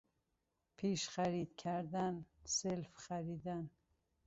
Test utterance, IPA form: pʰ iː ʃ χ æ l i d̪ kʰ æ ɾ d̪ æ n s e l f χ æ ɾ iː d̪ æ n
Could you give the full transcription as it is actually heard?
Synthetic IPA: pʰ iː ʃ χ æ ɾ i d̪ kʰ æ ɾ d̪ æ n s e l f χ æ ɾ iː d̪ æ n